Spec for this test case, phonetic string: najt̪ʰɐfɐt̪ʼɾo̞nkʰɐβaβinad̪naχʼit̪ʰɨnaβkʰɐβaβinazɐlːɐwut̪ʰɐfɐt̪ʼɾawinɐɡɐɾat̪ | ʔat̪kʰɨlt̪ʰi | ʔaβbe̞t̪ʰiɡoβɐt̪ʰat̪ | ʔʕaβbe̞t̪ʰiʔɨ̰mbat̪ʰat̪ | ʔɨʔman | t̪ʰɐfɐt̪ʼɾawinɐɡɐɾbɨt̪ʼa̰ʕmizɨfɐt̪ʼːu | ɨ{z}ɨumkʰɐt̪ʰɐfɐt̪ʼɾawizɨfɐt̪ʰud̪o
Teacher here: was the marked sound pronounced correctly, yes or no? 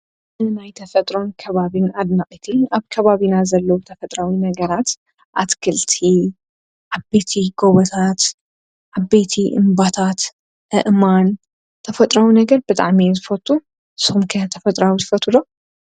no